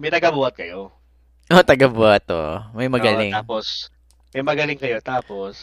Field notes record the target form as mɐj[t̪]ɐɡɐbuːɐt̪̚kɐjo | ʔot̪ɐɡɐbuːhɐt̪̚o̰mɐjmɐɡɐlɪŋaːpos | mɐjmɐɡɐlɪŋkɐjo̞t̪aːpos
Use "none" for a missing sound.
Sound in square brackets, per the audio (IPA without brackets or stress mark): t̪